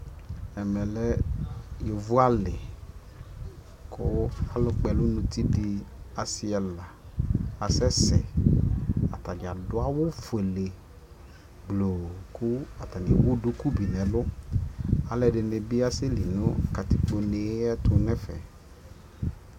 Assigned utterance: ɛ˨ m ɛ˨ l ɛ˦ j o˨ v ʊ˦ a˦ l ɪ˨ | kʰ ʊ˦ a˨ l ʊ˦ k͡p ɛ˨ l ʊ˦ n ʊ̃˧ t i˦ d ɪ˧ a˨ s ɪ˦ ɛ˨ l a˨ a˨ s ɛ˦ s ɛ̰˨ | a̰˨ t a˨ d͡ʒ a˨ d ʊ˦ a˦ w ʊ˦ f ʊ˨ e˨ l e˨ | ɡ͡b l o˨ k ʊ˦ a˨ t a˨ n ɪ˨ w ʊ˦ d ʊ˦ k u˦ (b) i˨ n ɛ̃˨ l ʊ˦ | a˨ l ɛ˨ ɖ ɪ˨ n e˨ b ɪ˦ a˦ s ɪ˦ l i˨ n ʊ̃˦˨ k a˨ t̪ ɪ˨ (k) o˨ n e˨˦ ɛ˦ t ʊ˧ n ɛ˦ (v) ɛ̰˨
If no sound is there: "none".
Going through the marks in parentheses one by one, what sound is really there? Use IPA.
b, k͡p, f

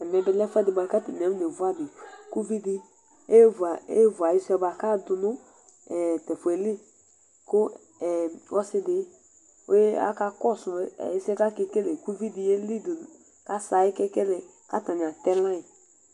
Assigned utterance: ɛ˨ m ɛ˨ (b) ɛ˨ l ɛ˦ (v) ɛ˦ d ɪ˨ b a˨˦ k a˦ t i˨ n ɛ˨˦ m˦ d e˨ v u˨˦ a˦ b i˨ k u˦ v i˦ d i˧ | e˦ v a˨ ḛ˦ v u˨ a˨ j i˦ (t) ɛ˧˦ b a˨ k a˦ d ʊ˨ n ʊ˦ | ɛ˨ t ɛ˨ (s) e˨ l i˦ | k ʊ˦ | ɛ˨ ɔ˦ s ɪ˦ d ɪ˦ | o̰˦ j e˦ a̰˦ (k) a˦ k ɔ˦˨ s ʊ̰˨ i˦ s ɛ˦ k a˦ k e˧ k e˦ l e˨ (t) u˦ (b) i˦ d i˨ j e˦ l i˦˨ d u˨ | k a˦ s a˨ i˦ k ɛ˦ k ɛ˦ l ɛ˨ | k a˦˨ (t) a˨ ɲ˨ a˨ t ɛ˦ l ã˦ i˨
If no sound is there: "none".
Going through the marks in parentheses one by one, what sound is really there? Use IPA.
b, f, s, f, k, k, v, t

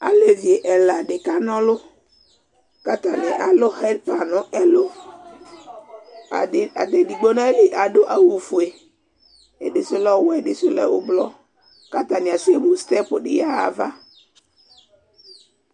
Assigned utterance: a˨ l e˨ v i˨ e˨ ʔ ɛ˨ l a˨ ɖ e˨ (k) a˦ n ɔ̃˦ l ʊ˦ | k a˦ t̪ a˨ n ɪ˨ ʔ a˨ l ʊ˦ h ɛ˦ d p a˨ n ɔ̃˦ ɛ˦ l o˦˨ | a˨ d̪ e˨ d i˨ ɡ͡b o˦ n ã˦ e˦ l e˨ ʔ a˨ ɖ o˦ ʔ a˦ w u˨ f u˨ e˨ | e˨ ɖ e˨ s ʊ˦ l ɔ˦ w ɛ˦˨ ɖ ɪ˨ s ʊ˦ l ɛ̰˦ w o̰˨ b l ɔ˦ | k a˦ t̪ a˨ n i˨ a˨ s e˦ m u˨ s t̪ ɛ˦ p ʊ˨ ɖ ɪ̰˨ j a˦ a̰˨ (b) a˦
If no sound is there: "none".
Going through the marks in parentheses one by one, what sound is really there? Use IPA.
k, v

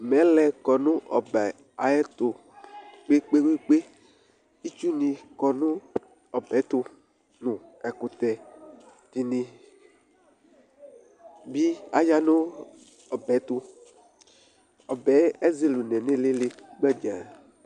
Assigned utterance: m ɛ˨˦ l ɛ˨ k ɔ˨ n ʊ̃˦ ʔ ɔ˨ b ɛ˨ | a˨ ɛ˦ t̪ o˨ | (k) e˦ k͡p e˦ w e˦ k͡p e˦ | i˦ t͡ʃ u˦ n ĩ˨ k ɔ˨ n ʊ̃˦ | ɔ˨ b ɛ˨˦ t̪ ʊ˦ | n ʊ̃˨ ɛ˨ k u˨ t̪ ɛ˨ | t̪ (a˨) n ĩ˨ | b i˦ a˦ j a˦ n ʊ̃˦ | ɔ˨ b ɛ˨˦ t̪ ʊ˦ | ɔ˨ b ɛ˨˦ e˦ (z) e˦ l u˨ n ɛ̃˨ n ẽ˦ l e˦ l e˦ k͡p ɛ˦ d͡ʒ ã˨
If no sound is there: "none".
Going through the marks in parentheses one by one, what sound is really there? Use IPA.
k͡p, i˨, z

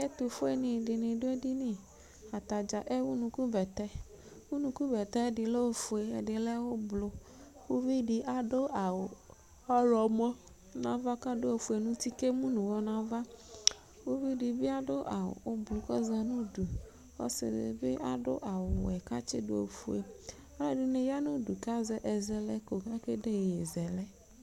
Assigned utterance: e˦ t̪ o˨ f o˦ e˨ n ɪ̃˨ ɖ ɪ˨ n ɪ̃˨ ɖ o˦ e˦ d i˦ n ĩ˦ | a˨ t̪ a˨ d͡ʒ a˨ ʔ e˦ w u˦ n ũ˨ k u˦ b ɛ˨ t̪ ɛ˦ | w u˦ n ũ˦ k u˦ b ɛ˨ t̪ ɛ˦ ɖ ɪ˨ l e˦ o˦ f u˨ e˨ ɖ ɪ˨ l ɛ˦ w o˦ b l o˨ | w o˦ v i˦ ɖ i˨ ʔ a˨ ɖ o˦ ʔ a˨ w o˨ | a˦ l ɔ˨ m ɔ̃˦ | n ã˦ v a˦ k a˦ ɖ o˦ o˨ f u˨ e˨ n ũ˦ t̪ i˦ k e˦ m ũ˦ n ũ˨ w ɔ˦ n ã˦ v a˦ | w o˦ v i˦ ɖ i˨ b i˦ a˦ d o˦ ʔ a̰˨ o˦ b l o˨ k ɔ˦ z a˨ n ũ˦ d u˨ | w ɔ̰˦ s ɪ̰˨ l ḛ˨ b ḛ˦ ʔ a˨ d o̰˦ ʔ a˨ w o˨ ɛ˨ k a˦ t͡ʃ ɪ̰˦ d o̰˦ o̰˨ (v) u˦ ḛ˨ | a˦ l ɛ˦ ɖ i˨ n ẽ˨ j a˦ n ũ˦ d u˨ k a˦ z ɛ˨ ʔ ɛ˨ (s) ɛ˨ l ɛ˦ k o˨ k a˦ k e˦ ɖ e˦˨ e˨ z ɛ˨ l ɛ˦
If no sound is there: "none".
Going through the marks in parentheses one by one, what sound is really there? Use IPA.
f, z

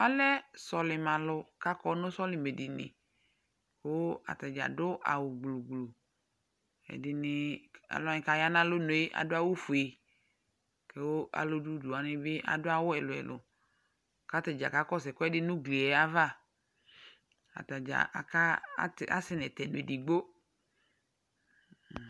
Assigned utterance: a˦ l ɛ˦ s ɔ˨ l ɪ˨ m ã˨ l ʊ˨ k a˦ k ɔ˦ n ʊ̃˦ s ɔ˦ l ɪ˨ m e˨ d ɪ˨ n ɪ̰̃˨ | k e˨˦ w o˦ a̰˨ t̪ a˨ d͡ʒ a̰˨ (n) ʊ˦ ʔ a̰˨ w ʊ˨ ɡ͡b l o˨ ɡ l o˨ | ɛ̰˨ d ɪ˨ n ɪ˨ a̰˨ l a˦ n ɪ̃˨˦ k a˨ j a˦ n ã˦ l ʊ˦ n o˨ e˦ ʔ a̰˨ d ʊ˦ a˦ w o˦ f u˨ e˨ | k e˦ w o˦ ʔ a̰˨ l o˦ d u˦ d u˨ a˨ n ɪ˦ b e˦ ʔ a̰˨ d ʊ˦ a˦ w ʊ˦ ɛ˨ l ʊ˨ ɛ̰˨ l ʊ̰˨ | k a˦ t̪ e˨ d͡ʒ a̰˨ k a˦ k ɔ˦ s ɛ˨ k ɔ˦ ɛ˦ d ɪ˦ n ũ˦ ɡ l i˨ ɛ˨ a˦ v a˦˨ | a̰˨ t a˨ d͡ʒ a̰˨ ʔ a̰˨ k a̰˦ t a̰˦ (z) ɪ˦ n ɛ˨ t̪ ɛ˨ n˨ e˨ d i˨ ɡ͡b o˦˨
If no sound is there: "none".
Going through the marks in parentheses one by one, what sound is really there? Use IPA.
d, s

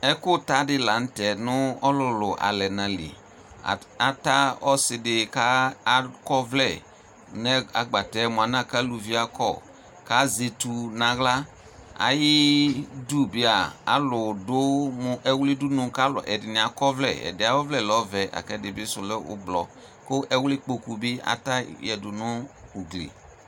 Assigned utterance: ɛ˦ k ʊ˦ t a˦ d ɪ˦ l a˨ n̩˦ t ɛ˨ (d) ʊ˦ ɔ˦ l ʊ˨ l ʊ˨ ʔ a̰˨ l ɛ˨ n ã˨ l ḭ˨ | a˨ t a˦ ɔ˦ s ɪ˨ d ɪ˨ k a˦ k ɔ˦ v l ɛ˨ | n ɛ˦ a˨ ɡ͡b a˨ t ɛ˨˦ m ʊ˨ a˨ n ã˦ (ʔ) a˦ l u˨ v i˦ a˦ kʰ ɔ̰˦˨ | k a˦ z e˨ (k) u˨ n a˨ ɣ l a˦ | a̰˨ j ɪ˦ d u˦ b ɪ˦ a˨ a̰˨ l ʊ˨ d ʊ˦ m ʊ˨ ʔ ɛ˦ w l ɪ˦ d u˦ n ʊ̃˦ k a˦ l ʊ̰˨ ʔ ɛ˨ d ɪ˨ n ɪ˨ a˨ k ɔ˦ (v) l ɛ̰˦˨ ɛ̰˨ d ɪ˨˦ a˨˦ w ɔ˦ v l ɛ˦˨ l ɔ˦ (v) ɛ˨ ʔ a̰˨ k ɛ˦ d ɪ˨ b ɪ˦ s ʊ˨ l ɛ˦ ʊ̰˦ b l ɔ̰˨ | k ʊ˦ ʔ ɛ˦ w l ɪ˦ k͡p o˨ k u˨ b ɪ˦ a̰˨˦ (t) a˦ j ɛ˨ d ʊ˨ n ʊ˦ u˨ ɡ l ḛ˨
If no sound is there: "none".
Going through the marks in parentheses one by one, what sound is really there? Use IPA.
n, k, t, v, v, t

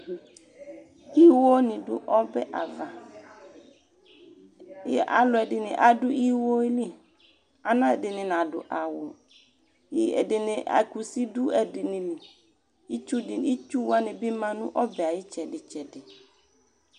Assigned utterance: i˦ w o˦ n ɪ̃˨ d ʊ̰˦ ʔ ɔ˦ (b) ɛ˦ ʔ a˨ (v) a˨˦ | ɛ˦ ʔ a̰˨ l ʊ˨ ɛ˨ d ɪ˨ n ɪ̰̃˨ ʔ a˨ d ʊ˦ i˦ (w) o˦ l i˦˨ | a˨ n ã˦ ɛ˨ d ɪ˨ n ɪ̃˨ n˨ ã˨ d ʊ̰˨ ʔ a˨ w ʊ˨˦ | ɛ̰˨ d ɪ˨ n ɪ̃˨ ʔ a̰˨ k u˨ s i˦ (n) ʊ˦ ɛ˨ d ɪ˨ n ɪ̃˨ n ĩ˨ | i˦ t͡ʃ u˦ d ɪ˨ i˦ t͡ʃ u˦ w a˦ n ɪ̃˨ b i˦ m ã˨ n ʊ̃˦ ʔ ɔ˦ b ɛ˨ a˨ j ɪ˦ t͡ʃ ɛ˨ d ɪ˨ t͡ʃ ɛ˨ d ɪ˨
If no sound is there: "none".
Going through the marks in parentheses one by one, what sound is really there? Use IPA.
b, v, w, d

